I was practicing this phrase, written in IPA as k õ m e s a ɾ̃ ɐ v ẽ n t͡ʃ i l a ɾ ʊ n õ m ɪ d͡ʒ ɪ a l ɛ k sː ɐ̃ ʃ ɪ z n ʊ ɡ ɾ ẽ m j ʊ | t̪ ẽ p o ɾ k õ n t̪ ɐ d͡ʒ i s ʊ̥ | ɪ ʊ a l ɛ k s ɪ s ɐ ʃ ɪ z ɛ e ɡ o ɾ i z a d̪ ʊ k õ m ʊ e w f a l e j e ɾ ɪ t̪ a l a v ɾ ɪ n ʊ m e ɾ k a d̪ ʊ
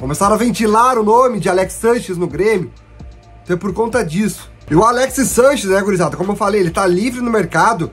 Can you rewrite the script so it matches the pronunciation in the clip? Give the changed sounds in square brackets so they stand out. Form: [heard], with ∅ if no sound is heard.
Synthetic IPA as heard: k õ m e s a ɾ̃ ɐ v ẽ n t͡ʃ i l a ɾ ʊ n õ m ɪ d͡ʒ ɪ a l ɛ k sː ɐ̃ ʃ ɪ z n ʊ ɡ ɾ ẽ m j ʊ | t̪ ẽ p o ɾ k õ n t̪ ɐ d͡ʒ i s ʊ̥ | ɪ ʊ a l ɛ k s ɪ s [ɐ̃] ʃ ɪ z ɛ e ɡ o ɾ i z a d̪ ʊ k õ m ʊ e w f a l e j e [l] ɪ t̪ a l [i] v ɾ ɪ n ʊ m e ɾ k a d̪ ʊ